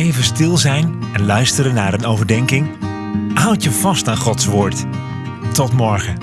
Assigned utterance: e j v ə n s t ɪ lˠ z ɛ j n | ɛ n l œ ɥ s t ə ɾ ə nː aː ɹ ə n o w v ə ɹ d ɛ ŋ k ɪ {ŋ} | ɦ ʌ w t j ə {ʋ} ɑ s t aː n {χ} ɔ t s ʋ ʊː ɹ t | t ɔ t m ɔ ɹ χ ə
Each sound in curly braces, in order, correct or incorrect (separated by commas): correct, incorrect, correct